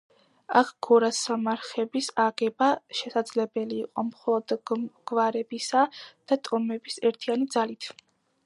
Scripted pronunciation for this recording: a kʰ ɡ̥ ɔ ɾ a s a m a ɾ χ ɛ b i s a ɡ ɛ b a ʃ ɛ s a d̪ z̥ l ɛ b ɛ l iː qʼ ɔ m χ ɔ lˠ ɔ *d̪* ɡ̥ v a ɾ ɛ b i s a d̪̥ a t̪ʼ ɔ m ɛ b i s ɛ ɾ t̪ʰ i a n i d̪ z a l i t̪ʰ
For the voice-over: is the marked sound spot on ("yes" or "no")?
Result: yes